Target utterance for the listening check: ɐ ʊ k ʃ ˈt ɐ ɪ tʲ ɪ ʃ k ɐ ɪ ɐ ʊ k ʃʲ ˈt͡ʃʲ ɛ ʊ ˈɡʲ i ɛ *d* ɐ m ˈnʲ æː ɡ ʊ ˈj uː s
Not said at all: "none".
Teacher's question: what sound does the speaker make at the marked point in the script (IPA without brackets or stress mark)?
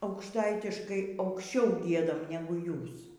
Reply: d